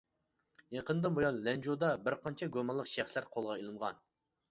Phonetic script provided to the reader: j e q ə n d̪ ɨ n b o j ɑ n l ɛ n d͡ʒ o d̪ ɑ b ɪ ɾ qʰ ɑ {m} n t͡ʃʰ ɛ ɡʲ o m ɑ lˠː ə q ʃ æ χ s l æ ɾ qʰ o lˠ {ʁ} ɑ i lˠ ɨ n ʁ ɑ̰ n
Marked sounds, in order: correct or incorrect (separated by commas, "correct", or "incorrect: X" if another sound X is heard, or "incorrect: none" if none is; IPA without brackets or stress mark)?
incorrect: none, correct